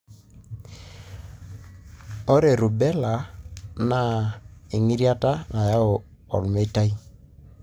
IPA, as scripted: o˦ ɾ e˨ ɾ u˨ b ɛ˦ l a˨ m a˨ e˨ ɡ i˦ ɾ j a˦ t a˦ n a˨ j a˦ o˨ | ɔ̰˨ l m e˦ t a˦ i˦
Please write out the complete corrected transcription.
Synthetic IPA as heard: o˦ ɾ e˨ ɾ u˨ b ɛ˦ l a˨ n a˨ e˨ ŋ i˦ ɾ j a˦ t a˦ n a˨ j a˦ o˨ | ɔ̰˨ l m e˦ t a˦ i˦